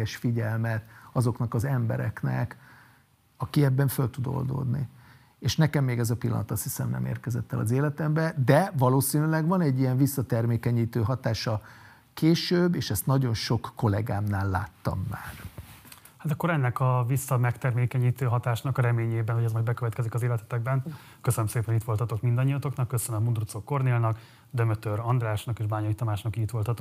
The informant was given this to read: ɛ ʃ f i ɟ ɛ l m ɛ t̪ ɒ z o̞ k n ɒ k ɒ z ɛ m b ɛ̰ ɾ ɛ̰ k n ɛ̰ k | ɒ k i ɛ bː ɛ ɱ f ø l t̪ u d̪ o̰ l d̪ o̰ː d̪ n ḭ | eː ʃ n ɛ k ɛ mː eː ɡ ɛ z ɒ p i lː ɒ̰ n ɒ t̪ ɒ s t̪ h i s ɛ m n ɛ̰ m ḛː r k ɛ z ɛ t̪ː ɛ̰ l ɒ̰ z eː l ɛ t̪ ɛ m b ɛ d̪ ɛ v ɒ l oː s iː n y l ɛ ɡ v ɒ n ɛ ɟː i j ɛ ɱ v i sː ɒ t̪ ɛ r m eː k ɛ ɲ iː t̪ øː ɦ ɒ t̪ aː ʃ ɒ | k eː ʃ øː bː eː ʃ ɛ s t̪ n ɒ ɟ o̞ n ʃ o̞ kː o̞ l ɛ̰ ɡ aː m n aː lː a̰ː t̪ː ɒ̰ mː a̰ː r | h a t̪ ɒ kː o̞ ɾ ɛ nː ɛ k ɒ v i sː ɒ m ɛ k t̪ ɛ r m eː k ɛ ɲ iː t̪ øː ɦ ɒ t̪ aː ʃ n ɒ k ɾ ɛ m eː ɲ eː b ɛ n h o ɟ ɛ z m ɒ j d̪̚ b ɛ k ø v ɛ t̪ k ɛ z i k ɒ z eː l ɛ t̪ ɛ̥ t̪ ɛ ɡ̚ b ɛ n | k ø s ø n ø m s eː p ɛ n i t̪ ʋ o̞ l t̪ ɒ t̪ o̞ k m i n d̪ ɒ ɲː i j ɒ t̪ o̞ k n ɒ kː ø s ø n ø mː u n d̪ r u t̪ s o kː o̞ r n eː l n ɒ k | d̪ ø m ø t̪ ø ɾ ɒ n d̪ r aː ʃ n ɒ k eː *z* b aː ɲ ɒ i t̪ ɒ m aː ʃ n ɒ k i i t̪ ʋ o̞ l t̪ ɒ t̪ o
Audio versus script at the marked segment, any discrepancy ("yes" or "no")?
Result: yes